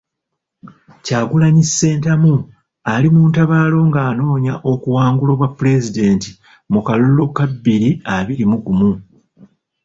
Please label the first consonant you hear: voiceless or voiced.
voiceless